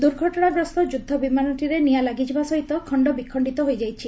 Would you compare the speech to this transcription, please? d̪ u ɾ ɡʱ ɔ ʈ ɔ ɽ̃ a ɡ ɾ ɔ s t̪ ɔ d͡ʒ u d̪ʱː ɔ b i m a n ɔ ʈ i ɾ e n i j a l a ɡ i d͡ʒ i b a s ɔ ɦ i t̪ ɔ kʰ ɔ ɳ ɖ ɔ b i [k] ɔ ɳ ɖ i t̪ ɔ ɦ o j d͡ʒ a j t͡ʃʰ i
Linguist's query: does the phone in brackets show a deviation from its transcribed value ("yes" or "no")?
yes